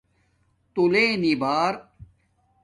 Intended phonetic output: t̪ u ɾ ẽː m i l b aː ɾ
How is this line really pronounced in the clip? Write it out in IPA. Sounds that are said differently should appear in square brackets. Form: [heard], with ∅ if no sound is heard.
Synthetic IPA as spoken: t̪ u [l] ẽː [n] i [∅] b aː ɾ